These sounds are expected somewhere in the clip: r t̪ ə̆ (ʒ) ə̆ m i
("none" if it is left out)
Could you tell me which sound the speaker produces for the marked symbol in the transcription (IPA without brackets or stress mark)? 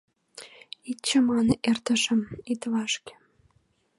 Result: ʃ